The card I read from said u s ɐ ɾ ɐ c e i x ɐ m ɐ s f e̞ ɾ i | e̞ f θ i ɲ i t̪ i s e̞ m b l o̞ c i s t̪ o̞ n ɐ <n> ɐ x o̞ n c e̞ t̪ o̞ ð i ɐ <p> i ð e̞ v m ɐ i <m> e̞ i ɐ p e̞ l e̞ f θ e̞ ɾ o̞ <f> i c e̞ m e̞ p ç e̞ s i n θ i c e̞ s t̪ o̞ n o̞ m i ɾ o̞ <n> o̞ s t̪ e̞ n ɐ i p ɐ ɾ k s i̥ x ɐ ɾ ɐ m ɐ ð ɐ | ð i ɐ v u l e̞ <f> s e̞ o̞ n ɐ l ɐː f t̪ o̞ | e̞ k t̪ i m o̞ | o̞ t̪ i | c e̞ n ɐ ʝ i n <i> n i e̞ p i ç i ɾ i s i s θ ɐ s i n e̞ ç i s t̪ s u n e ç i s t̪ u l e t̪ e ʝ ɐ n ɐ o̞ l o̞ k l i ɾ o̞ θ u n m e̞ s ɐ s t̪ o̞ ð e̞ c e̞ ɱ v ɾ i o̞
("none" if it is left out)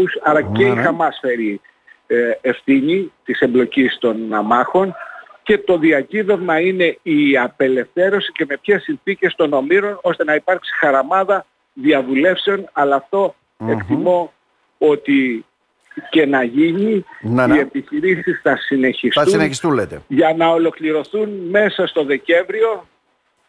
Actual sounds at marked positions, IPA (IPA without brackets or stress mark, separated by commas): m, c, n, s, n, f, i